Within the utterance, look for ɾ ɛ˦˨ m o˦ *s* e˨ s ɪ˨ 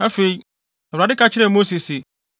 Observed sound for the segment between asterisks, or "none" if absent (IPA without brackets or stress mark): s